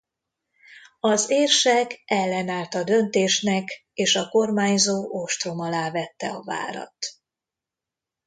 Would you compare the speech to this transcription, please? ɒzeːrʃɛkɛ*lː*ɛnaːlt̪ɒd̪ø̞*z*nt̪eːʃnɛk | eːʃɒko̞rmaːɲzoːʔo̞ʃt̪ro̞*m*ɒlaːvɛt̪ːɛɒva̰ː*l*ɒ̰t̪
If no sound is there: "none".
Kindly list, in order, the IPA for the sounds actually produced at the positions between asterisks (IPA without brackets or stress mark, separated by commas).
lː, none, m, ɾ